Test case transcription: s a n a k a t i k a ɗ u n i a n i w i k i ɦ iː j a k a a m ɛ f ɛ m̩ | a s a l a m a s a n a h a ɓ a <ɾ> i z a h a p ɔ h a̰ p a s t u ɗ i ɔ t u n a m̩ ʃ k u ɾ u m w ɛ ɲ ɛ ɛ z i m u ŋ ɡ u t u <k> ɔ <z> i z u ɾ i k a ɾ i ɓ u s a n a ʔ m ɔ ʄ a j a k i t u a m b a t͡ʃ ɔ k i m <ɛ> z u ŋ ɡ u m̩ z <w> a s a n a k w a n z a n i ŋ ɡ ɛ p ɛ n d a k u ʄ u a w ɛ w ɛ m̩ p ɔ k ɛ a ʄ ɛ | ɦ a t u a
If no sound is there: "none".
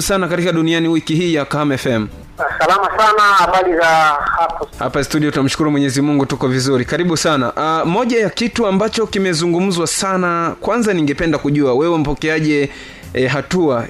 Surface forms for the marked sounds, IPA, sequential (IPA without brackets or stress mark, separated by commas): l, k, v, ɛ, w